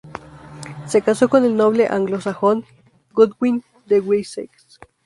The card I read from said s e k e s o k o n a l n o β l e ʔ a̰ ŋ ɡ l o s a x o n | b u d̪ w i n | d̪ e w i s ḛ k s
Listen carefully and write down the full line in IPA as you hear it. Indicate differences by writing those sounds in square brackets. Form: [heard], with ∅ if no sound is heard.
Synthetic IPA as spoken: s e k [a] s o k o n [e] l n o β l e ʔ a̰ ŋ ɡ l o s a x o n | [ɡ] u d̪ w i n | d̪ e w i s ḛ k s